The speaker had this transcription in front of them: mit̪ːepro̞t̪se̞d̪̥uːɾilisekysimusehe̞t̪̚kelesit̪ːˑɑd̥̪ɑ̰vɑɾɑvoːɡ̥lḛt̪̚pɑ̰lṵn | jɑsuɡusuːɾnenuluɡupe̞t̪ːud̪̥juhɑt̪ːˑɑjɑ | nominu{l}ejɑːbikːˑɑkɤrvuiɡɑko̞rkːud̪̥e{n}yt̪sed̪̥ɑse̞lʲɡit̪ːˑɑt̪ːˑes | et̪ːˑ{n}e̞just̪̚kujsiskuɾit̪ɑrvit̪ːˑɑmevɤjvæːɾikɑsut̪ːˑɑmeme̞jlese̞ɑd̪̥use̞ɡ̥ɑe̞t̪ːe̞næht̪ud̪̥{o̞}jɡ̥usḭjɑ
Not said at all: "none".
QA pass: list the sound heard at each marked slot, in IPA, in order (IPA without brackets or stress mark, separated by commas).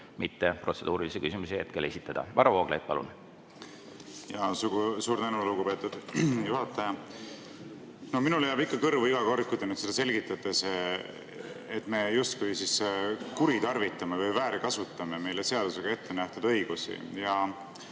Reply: l, n, m, ɤ̞